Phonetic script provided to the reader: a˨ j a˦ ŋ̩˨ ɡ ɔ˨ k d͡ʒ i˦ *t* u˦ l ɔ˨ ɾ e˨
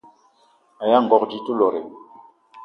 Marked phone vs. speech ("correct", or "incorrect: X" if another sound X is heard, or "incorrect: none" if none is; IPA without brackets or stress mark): correct